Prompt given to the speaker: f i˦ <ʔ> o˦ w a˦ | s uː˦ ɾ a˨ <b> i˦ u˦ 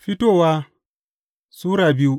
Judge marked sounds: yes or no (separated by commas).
no, yes